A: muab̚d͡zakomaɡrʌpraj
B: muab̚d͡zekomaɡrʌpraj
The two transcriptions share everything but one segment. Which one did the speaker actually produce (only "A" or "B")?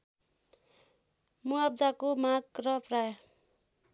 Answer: A